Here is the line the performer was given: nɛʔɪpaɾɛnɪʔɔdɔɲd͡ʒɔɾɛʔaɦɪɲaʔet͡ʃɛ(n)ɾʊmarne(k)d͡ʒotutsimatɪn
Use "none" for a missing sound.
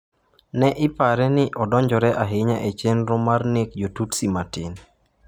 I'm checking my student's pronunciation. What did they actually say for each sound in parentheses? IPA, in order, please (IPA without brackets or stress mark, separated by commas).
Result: n, k